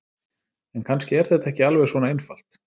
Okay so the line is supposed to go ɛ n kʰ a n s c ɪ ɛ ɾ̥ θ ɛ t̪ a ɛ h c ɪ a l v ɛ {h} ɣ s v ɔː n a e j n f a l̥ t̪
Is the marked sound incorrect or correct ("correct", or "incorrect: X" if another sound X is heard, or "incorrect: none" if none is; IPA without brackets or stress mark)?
incorrect: none